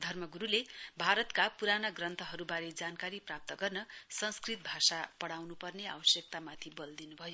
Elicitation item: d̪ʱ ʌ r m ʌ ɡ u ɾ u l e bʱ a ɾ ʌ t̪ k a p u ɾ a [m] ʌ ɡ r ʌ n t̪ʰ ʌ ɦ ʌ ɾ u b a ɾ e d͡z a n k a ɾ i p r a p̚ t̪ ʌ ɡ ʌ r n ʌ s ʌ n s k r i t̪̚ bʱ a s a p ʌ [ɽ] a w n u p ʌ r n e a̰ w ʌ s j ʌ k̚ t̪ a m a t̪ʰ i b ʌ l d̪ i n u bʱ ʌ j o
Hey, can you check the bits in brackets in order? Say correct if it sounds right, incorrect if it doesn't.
incorrect, correct

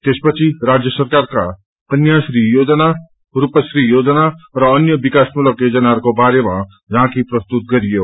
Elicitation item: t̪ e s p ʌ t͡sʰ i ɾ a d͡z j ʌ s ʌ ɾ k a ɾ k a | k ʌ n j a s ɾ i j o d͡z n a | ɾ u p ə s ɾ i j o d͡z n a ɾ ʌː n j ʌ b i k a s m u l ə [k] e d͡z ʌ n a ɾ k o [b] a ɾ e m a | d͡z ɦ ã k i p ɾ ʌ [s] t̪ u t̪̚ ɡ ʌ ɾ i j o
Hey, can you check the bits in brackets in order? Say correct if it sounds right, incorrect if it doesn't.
correct, correct, correct

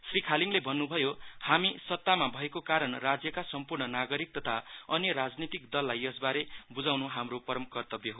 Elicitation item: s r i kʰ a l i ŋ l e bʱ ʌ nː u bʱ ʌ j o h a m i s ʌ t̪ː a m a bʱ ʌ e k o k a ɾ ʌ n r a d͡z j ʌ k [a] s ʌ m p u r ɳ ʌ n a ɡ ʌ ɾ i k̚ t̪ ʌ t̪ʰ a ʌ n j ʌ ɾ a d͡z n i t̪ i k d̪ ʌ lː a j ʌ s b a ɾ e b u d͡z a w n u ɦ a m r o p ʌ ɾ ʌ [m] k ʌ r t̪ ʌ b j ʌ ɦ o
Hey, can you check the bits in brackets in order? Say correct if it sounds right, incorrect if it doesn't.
correct, correct

